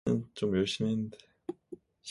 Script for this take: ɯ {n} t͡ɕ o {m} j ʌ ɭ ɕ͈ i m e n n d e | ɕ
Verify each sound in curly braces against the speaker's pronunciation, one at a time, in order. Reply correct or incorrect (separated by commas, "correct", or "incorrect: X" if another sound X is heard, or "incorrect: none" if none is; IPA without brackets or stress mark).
correct, correct